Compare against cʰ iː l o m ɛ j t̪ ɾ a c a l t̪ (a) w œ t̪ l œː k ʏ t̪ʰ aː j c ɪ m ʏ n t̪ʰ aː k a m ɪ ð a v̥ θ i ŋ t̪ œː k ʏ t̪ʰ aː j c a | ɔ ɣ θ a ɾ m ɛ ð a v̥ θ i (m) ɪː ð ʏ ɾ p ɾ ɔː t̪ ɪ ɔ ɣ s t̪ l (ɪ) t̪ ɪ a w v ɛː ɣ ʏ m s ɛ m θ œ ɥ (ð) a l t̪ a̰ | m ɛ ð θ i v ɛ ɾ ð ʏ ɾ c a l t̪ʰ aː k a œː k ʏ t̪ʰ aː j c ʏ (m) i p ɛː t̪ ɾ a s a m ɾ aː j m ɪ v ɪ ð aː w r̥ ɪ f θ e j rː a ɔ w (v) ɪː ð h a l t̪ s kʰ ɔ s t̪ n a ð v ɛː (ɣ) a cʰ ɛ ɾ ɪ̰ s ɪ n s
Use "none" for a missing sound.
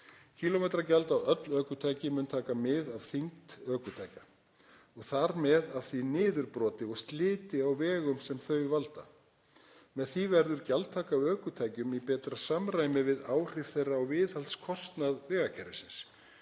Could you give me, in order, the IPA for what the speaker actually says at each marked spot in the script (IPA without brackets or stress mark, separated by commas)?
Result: a, n, ɪː, v, m, v, ɣ